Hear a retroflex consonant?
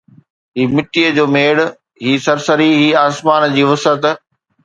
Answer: yes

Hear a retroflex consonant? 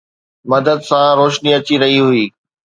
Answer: no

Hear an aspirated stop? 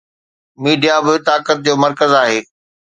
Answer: no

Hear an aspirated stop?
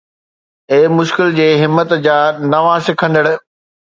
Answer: yes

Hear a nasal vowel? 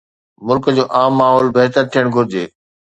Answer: no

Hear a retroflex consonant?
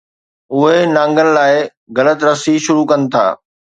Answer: no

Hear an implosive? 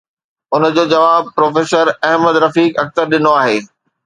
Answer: yes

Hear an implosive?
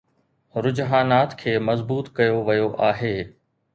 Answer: no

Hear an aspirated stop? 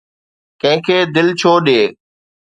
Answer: yes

